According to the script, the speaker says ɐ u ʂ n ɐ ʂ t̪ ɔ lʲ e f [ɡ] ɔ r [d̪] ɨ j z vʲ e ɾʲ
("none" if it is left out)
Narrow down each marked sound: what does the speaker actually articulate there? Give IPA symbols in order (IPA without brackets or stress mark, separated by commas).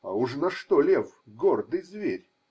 ɡ, d̪